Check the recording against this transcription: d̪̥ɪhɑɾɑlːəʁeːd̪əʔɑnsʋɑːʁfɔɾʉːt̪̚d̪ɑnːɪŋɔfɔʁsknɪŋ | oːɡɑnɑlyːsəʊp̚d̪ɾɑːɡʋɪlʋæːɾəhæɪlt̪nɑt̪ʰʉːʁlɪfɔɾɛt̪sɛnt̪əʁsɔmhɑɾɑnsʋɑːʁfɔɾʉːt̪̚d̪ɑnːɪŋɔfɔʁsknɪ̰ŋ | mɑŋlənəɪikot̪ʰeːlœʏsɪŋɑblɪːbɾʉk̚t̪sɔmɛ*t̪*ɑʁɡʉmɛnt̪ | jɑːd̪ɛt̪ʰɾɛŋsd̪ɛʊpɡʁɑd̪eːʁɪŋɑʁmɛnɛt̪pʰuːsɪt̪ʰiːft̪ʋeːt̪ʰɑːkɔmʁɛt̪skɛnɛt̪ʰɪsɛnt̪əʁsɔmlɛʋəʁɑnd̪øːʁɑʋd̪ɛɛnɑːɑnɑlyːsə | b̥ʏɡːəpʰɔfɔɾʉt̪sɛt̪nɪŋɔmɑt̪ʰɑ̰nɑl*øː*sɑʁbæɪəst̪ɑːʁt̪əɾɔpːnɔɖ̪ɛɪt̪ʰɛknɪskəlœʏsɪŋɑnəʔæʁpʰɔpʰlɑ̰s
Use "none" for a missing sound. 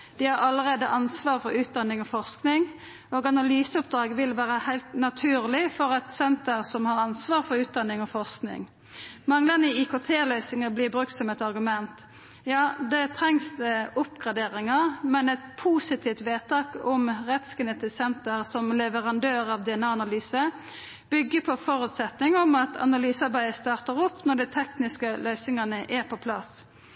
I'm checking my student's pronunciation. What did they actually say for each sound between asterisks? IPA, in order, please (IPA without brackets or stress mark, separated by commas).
t̪, yː